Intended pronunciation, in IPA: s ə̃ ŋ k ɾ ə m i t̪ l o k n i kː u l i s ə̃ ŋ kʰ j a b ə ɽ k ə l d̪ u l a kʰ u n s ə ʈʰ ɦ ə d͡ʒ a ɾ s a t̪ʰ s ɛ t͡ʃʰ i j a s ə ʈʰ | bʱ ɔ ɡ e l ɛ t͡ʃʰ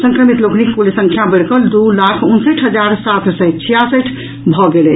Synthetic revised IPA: s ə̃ ŋ k ɾ ə m i t̪ l o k n i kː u l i s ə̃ ŋ kʰ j a b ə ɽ k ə l d̪ u l a kʰ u n s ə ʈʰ ɦ ə d͡ʒ a ɾ s a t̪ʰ s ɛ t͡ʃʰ i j a s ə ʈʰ | bʱ ɔ ɡ e l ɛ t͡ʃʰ